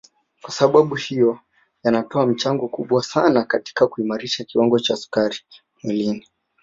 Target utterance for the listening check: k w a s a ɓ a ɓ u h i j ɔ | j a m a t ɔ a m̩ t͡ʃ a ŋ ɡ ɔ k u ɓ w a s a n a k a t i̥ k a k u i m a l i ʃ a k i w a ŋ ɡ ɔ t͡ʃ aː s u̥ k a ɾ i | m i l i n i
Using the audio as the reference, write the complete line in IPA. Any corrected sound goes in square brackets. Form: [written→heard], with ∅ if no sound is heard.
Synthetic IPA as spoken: k w a s a ɓ a ɓ u h i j ɔ | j a [m→n] a t ɔ a m̩ t͡ʃ a ŋ ɡ ɔ k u ɓ w a s a n a k a t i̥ k a k u i m a [l→ɾ] i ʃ a k i w a ŋ ɡ ɔ t͡ʃ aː s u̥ k a ɾ i | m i l i n i